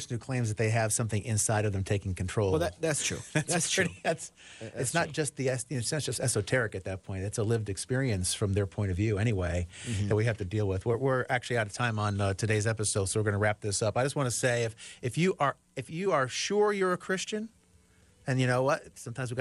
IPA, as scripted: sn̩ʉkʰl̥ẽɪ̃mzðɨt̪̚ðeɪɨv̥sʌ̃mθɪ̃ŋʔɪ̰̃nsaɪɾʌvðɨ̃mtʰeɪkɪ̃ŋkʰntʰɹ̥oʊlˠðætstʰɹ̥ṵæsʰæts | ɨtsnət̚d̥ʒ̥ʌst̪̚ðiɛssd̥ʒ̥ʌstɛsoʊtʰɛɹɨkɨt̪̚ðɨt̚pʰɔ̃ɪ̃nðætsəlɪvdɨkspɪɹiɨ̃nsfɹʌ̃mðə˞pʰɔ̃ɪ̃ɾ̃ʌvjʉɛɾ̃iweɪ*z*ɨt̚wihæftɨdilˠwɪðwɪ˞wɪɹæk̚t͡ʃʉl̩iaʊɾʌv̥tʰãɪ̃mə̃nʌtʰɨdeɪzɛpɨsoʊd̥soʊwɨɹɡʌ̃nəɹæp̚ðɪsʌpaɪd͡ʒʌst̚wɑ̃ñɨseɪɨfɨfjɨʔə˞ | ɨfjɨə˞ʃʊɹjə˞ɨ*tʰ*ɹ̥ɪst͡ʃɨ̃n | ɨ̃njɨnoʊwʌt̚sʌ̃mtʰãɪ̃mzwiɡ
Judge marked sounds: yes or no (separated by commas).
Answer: no, no